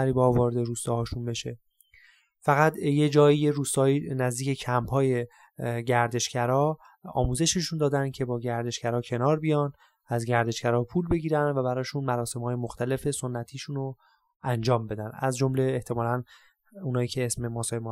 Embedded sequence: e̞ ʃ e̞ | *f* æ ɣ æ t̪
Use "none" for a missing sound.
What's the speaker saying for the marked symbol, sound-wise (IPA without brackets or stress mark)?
f